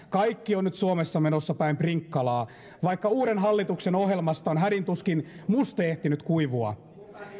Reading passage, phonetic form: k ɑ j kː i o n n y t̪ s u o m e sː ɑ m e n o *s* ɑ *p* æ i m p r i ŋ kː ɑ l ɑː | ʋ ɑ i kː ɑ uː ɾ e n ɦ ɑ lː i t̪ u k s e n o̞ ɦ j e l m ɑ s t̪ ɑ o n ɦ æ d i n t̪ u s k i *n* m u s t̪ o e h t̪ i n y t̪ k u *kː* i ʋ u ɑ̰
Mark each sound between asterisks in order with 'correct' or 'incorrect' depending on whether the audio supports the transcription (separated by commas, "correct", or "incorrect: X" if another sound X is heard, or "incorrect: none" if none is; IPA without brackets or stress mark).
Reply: incorrect: sː, correct, correct, incorrect: none